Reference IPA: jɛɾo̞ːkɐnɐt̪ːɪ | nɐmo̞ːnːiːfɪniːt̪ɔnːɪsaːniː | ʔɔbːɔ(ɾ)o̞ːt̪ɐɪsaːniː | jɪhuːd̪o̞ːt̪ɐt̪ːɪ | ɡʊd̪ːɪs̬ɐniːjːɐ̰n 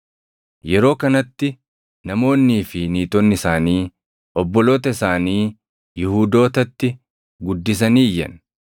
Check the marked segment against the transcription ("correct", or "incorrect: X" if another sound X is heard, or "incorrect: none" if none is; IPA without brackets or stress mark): incorrect: l